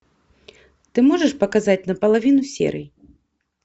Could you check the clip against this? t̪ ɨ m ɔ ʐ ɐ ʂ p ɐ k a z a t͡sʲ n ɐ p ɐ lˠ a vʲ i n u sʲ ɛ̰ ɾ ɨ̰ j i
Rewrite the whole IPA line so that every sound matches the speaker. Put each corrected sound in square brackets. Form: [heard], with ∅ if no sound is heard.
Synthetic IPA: t̪ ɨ m ɔ ʐ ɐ ʂ p ɐ k a z a t͡sʲ n ɐ p ɐ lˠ a vʲ i n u sʲ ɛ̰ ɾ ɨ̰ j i